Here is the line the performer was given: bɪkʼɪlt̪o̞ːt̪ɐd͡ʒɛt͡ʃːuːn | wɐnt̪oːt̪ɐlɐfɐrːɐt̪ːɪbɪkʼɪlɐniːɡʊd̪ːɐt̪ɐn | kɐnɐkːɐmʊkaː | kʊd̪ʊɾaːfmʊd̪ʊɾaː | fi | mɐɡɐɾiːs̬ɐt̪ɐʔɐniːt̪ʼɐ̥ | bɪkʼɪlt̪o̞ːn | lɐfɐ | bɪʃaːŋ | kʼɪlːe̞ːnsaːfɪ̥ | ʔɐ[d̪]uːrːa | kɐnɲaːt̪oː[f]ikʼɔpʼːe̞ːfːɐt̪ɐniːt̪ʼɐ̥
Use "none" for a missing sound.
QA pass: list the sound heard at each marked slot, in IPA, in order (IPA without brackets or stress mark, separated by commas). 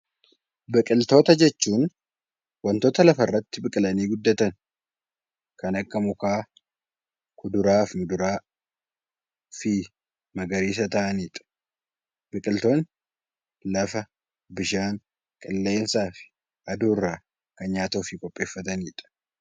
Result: d̪, f